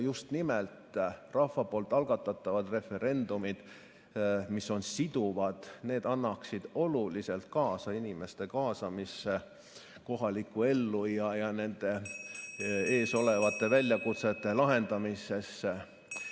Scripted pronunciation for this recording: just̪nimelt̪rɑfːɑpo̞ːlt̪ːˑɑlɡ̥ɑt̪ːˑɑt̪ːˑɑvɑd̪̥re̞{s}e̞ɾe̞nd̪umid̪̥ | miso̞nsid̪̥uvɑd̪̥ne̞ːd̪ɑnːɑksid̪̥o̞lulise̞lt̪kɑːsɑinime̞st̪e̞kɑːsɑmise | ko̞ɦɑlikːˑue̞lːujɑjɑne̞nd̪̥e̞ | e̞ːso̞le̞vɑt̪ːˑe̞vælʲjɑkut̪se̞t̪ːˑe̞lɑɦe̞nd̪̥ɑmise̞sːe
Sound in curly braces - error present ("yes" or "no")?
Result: yes